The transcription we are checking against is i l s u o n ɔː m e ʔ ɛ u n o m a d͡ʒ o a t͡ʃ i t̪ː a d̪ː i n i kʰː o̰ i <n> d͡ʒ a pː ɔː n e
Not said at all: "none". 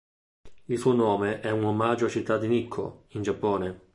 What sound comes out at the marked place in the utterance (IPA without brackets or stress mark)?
n